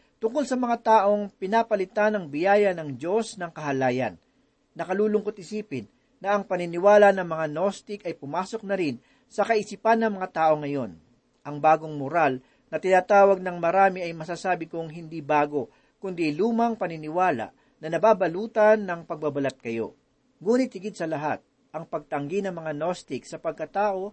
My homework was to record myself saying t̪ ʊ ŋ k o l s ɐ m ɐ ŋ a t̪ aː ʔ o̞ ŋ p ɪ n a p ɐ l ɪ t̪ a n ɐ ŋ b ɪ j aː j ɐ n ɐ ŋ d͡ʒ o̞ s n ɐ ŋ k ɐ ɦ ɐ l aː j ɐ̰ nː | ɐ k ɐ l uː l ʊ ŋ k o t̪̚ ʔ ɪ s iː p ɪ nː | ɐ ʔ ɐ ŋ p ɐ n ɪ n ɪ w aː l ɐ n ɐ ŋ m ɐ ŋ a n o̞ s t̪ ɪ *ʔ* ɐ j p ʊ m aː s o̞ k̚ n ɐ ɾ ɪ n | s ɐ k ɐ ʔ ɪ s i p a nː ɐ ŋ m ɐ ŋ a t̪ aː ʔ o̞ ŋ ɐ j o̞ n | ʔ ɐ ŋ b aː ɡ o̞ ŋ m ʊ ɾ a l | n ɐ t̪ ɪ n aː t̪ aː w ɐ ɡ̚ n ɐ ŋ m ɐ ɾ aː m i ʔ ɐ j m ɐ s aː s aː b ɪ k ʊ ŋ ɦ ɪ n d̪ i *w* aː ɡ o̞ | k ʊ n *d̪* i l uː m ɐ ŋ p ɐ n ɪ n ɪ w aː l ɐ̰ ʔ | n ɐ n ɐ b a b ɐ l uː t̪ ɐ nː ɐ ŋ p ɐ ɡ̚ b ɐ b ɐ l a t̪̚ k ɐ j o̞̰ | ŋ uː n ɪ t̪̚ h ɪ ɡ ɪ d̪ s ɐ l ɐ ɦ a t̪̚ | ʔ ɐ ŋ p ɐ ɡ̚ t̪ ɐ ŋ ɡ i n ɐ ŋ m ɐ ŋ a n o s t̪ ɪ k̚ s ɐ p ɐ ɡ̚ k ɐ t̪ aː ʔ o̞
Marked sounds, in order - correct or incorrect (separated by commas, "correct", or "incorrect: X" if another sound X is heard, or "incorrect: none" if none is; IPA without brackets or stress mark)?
incorrect: k, incorrect: b, correct